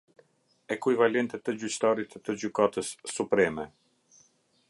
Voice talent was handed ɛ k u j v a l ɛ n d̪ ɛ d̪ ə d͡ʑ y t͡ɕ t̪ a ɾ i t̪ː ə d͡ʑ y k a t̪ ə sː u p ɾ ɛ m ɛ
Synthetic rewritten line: ɛ k u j v a l ɛ n t̪ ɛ t̪ ə d͡ʑ y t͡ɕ t̪ a ɾ i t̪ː ə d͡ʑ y k a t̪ ə sː u p ɾ ɛ m ɛ